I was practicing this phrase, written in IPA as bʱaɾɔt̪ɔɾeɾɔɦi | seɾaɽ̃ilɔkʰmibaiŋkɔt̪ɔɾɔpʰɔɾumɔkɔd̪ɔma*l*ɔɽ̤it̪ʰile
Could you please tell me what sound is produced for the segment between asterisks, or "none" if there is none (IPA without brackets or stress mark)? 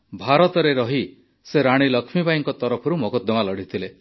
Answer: l